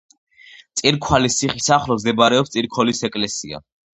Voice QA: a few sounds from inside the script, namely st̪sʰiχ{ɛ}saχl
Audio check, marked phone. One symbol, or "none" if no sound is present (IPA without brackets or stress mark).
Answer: i